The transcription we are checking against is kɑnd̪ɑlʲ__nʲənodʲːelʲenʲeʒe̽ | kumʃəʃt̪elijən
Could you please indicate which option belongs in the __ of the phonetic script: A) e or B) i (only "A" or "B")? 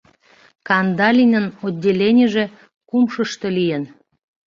B